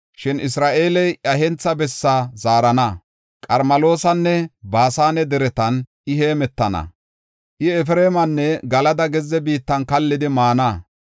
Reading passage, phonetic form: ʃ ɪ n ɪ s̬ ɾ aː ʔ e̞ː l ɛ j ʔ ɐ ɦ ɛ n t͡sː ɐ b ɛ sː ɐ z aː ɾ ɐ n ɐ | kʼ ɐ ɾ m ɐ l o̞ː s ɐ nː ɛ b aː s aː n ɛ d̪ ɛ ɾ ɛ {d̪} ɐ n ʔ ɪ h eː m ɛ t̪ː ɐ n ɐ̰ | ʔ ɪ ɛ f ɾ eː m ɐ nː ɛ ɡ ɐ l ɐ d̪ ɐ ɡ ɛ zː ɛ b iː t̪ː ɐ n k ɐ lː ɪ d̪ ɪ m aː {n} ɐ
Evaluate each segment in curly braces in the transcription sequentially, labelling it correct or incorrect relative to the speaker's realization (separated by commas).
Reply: incorrect, correct